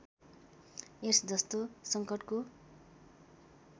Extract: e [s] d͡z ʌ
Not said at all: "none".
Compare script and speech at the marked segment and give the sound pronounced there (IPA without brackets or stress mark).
s